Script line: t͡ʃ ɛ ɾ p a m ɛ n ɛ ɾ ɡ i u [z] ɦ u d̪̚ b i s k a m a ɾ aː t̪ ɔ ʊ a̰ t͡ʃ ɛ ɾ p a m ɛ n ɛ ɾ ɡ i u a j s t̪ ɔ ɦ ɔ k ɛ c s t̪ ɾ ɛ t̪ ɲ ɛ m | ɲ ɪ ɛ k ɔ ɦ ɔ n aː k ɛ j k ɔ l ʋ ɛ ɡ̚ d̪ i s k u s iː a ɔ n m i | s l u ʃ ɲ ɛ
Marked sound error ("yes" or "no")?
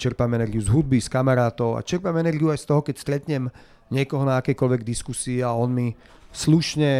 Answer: no